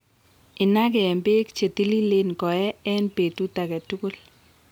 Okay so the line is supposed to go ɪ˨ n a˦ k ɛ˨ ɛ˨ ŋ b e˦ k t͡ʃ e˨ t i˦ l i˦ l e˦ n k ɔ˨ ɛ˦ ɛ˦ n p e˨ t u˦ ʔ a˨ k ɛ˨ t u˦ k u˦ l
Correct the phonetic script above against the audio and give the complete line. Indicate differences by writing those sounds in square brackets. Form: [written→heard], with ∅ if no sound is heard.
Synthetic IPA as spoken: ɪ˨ n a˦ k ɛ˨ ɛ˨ [ŋ→m] b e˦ k t͡ʃ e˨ t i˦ l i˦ l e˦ n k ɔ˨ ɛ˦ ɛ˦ n p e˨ t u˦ [ʔ→t] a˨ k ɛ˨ t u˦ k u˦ l